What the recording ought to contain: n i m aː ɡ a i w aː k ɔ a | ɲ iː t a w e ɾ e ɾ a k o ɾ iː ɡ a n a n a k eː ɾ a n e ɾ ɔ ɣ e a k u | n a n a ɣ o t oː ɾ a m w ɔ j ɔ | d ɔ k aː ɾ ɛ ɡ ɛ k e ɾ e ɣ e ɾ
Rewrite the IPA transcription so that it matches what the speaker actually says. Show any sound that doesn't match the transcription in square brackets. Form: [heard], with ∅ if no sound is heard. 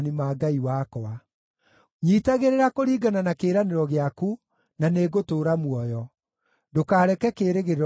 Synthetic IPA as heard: n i m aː ɡ a i w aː k ɔ a | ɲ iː t a [ɣ] e ɾ e ɾ a k o ɾ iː ɡ a n a n a k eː ɾ a n e ɾ ɔ ɣ e a k u | n a n [e] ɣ o t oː ɾ a m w ɔ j ɔ | d [o] k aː ɾ ɛ [k] ɛ k e ɾ e ɣ e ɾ